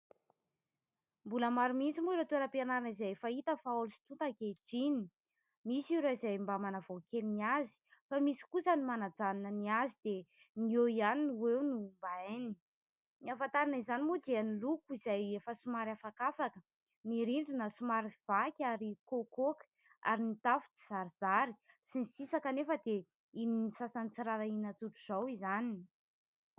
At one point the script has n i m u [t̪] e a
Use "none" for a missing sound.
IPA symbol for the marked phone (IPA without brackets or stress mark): d̪